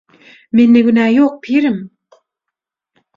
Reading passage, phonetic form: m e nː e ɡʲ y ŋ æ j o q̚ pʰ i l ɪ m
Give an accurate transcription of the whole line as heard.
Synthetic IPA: m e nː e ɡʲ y n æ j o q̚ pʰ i ɾ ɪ m